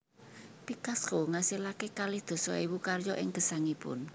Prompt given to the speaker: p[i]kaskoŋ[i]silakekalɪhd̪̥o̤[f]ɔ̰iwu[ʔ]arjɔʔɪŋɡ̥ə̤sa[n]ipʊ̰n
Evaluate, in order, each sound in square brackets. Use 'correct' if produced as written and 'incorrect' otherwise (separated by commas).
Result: correct, incorrect, incorrect, incorrect, incorrect